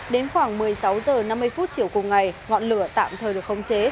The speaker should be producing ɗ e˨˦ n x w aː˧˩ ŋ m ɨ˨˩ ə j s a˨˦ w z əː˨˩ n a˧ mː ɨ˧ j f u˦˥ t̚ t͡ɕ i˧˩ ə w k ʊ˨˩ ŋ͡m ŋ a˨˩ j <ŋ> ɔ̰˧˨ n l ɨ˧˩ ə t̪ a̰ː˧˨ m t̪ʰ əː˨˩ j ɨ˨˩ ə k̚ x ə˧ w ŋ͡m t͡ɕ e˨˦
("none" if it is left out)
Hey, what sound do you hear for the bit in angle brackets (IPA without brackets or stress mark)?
ŋ